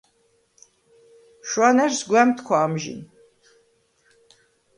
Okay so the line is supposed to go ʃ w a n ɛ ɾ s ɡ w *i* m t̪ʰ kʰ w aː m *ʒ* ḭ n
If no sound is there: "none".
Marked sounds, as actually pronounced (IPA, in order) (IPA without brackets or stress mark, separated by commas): ɛ, ʒ